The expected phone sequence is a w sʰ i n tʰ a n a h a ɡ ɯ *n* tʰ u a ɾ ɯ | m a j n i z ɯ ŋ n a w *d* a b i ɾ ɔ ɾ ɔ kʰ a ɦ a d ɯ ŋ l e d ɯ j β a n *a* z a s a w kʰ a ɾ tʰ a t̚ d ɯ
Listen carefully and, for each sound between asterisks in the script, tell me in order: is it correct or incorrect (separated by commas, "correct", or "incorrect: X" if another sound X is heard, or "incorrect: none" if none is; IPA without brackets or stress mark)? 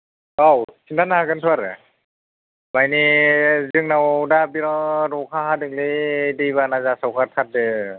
correct, correct, correct